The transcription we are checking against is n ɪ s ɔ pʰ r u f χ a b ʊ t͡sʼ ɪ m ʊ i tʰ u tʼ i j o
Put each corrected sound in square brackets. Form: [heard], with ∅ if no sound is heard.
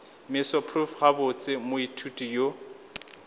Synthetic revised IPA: [m] ɪ s ɔ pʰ r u f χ a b ʊ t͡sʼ ɪ m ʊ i tʰ u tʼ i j o